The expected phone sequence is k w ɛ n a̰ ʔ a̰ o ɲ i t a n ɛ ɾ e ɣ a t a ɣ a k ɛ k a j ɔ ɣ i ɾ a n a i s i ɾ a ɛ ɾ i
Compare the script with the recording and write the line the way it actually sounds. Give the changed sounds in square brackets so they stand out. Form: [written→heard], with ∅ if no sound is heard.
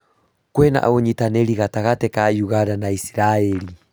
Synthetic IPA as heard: k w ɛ n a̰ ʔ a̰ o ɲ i t a n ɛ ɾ [e→i] ɣ a t a ɣ a [k→t] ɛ k a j [ɔ→u] ɣ [i→a] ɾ a n a i s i ɾ a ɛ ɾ i

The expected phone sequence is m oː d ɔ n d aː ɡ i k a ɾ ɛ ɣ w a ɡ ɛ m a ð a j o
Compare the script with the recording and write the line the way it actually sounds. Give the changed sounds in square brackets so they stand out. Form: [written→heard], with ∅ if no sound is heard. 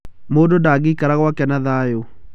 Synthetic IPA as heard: m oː d [ɔ→o] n d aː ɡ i k a ɾ [ɛ→a] ɣ w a [ɡ→k] ɛ [m→n] a ð a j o

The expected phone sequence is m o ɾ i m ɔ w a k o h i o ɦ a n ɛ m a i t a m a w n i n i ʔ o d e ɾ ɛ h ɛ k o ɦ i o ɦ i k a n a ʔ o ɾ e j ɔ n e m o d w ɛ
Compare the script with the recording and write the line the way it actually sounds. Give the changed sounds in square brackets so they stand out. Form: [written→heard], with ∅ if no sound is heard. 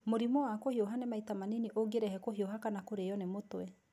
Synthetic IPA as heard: m o ɾ i m ɔ w a k o h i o ɦ a n ɛ m a i t a m a [w→∅] n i n i ʔ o [d→ɡ] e ɾ ɛ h ɛ k o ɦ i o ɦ [i→a] k a n a [ʔ→k] o ɾ e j ɔ n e m o [d→t] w ɛ

